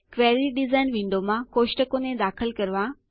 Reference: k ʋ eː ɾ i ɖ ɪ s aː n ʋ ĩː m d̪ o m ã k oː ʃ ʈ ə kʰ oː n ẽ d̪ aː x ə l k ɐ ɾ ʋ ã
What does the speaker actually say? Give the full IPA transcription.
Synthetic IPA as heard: k ʋ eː ɾ i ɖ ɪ z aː n ʋ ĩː n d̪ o m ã k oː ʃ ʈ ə k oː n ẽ d̪ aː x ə l k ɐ ɾ ʋ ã